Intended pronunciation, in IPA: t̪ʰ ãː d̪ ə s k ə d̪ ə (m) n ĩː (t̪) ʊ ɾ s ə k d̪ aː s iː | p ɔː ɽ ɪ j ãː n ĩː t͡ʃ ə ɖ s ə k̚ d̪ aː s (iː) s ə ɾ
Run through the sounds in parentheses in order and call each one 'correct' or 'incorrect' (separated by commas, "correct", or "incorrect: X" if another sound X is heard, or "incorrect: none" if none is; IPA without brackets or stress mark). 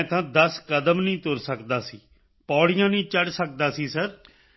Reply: correct, correct, correct